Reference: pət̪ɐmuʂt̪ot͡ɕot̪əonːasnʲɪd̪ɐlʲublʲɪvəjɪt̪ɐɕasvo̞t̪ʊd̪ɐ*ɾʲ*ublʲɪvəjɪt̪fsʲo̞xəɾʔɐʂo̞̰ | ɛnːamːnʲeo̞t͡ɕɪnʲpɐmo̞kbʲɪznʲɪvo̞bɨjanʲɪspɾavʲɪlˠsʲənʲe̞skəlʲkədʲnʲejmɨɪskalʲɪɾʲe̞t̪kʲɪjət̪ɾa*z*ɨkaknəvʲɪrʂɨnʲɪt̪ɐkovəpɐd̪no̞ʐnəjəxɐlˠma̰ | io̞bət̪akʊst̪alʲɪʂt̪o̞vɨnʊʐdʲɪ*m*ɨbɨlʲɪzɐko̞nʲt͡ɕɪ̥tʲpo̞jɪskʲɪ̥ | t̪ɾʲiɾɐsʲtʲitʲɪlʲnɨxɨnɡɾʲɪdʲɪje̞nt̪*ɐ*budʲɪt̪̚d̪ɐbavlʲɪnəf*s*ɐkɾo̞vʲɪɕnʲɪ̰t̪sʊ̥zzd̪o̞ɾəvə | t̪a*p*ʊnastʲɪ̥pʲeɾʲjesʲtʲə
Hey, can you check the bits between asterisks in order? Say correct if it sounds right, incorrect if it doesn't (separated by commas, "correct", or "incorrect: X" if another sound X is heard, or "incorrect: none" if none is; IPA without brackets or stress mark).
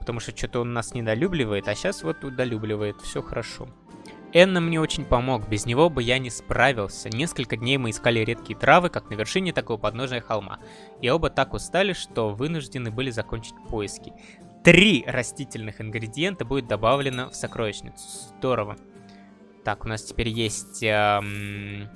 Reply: incorrect: lʲ, incorrect: v, incorrect: n, incorrect: ə, correct, incorrect: k